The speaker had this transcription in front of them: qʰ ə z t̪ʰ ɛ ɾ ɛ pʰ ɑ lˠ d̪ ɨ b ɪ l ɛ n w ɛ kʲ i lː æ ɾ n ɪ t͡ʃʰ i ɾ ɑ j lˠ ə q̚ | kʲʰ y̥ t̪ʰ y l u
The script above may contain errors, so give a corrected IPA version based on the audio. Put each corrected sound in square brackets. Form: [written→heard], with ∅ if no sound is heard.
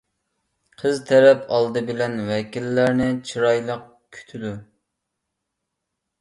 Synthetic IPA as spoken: qʰ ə z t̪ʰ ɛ ɾ ɛ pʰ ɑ lˠ d̪ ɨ b ɪ l ɛ n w ɛ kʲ i lː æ ɾ n ɪ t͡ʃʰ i ɾ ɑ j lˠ ə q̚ | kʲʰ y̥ t̪ʰ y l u